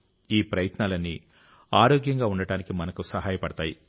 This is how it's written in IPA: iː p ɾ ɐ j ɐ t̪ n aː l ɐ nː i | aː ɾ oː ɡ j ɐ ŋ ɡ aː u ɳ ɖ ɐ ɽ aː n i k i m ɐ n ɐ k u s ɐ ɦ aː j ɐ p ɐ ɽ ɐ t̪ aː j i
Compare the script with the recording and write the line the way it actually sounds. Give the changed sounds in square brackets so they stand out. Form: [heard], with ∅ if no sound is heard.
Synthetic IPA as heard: iː p ɾ ɐ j ɐ t̪ n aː l ɐ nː i | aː ɾ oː ɡ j ɐ ŋ ɡ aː u ɳ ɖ ɐ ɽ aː n i k i m ɐ n ɐ k u s ɐ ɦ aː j ɐ p ɐ ɽ ɐ t̪ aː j i